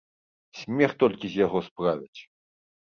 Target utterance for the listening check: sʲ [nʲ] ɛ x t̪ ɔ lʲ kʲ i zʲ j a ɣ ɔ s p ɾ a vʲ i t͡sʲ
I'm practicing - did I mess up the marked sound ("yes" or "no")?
yes